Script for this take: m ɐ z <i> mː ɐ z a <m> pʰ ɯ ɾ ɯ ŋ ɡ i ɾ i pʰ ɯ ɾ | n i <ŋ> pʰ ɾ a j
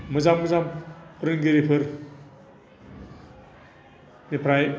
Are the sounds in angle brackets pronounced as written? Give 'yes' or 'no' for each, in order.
no, yes, no

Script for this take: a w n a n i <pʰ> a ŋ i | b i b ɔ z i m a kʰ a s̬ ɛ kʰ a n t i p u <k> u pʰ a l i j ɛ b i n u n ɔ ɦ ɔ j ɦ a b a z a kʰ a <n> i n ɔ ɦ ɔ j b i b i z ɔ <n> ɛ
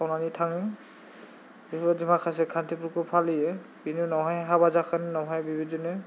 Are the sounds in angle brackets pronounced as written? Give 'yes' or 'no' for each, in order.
no, yes, yes, yes

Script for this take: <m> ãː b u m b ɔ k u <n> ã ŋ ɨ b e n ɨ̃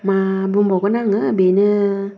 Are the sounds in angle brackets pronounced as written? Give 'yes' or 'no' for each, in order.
yes, yes

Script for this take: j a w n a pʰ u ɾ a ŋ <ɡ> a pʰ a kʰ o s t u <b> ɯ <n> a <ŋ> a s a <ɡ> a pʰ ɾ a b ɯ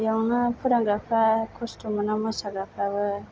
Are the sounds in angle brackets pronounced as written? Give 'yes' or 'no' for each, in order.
yes, no, yes, no, yes

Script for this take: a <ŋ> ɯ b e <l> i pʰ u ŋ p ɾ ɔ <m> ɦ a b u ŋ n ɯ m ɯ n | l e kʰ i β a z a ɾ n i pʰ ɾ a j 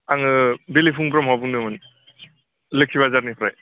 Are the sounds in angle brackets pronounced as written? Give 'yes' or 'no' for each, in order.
yes, yes, yes

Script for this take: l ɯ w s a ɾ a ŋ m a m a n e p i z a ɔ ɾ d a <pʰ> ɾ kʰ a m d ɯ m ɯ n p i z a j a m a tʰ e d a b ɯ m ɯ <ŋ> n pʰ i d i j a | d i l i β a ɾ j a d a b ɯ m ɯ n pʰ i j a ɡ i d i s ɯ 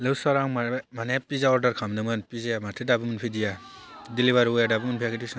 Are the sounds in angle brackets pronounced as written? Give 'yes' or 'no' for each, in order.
no, no

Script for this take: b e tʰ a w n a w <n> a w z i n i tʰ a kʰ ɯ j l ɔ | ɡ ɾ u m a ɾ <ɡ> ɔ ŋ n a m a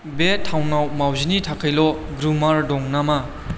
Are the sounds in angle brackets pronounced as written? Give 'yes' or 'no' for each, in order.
no, no

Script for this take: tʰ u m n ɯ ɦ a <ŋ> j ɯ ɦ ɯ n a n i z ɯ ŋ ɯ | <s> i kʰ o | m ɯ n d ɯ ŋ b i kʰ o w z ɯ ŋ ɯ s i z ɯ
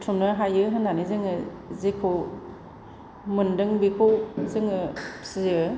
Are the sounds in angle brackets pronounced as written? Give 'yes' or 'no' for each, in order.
no, no

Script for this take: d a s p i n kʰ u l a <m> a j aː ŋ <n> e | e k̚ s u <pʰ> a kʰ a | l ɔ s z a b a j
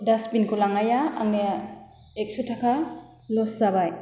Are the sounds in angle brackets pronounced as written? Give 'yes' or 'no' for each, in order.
no, yes, no

